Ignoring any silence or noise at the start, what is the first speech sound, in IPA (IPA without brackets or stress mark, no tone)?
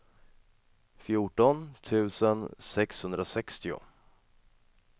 f